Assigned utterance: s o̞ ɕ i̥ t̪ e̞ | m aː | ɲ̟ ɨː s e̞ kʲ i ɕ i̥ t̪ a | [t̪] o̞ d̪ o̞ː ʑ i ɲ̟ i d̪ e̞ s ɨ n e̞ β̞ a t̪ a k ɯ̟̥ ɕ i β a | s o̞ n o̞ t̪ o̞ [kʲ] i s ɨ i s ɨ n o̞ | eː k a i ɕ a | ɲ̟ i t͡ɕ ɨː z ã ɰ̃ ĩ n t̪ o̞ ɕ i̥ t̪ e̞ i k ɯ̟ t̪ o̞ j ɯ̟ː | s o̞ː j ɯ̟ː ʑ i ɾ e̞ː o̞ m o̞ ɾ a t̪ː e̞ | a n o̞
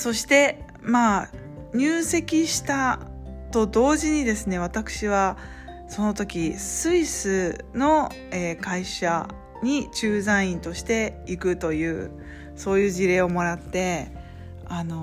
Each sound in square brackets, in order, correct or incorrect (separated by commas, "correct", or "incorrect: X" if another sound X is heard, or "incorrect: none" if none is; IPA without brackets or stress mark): correct, correct